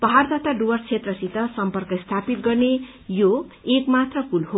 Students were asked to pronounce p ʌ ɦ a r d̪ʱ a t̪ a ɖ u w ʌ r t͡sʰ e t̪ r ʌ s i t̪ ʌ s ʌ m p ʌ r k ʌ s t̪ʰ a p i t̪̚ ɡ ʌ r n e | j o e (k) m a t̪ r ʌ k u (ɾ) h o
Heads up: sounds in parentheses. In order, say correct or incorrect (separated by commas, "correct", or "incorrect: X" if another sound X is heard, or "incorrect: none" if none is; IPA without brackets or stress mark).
correct, incorrect: l